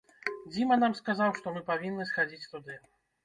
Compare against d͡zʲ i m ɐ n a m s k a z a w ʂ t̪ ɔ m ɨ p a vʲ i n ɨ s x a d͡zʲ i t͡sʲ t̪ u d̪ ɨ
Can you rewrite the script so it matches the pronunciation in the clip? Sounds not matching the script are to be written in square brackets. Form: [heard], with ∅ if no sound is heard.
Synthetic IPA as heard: d͡zʲ i m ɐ n a m s k a z a w ʂ t̪ ɔ m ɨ p a vʲ i [nː] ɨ s x a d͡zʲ i t͡sʲ t̪ u d̪ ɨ